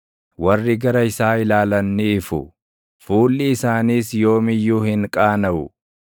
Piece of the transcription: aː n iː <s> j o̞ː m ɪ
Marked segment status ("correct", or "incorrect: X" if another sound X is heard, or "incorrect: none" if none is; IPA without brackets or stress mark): correct